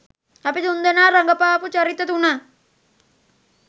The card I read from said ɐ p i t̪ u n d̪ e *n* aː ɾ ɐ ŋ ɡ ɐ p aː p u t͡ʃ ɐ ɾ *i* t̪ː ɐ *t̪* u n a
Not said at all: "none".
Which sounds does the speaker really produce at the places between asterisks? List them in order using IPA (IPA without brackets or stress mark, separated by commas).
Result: n, i, t̪